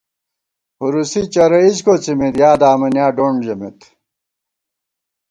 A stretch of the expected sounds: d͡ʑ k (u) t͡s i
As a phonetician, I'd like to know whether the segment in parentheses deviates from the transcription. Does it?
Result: yes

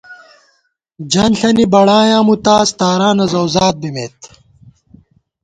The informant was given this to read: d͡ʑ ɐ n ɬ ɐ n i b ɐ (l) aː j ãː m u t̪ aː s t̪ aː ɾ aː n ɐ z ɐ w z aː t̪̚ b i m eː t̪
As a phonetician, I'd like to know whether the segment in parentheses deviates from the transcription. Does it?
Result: yes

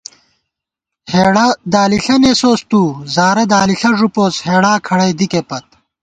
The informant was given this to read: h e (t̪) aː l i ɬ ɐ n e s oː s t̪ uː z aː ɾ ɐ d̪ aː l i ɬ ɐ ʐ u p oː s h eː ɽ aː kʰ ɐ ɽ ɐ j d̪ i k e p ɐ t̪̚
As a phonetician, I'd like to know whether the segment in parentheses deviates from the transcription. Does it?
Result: yes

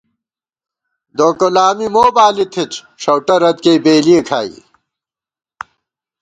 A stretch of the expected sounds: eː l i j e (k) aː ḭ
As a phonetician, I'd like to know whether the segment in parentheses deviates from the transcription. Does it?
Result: yes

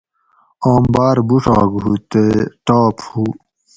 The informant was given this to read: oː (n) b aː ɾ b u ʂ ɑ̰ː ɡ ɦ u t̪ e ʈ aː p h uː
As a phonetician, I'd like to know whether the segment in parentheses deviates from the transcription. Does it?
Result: yes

